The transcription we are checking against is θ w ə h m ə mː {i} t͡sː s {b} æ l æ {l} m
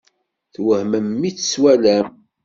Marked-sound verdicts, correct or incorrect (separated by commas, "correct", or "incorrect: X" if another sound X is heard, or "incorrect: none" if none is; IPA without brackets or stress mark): correct, incorrect: w, incorrect: none